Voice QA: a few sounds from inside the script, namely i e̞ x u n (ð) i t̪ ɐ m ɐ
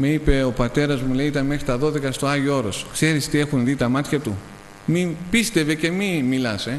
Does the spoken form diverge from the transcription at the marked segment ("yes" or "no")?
no